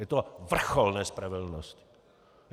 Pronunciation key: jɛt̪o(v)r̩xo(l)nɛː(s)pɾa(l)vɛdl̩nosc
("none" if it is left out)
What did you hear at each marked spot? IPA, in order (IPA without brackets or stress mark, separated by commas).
v, l, s, none